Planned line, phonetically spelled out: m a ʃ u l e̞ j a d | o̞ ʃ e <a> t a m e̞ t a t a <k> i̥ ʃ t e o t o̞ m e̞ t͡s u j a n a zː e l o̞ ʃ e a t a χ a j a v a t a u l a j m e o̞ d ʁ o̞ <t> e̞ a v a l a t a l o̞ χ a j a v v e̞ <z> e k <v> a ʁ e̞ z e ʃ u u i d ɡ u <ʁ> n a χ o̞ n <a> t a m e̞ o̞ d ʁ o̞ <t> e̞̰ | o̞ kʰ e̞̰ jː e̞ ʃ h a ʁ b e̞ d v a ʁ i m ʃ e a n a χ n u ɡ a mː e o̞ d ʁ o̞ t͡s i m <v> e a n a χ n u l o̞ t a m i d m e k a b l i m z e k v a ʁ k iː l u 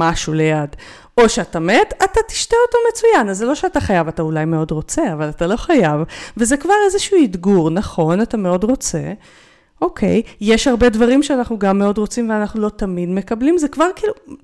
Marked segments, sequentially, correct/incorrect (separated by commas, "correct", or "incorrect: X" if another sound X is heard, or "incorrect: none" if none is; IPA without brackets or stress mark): correct, incorrect: t, incorrect: t͡s, correct, correct, correct, correct, incorrect: t͡s, correct